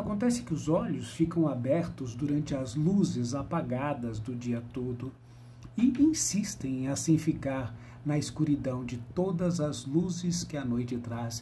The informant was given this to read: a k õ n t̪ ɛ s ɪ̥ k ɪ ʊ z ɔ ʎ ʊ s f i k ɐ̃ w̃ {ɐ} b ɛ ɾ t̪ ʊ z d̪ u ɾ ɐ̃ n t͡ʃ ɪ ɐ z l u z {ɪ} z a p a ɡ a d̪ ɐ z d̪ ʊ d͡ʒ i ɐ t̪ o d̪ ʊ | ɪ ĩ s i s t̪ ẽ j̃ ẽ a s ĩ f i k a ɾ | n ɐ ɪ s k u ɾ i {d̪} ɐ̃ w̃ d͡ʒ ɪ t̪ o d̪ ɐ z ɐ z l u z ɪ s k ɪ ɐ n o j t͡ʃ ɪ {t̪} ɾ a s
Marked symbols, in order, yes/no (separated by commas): no, yes, yes, yes